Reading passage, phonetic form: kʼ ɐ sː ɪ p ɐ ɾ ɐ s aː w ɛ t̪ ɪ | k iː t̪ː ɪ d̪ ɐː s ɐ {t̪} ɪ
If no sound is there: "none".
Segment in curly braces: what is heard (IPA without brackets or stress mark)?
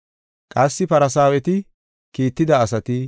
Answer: t̪